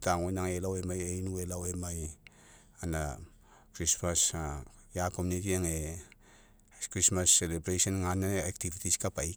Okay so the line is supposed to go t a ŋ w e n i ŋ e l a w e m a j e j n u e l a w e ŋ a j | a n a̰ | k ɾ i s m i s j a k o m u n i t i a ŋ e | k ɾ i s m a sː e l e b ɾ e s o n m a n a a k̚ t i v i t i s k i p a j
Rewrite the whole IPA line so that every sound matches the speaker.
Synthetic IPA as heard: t a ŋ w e n a ŋ e l a w e m a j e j n u e l a w e m a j | a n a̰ | k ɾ i s m a s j a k o m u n i t i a ŋ e | k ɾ i s m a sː e l e b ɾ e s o n ŋ a n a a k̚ t i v i t i s k a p a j